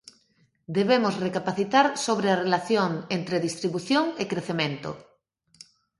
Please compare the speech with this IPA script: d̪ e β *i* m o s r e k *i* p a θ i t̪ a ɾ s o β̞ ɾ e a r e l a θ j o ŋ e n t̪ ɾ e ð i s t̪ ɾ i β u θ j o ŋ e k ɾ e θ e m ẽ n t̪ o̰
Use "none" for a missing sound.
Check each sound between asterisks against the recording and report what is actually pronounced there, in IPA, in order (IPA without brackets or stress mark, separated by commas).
e, a